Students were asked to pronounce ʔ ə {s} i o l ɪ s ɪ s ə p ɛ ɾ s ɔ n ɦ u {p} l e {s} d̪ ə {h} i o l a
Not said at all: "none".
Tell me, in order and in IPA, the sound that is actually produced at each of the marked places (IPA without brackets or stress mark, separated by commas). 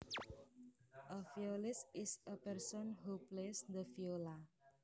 f, p, s, f